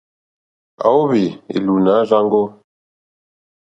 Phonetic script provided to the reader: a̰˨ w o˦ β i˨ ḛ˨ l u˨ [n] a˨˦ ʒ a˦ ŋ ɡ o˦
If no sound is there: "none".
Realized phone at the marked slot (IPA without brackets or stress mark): n